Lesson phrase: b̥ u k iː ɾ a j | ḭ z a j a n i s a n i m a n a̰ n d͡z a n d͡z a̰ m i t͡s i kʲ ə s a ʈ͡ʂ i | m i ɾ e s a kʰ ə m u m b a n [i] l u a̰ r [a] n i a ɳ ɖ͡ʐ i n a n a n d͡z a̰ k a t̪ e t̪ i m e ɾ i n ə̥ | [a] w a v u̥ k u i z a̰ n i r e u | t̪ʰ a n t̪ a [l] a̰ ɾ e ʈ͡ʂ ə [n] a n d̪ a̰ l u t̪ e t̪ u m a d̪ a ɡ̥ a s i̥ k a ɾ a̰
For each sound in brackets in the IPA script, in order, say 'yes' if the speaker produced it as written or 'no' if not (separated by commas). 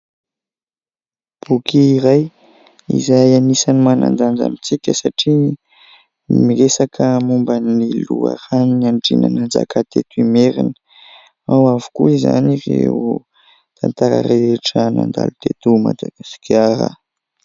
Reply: yes, yes, yes, no, yes